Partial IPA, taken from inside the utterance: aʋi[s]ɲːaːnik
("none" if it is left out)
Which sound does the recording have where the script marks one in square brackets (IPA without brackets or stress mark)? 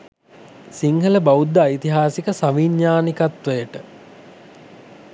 none